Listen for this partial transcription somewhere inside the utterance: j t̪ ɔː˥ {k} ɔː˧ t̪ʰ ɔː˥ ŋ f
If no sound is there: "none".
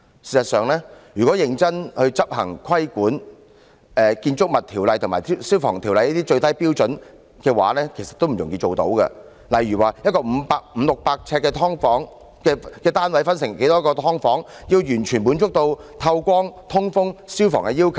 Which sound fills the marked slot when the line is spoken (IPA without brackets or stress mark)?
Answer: k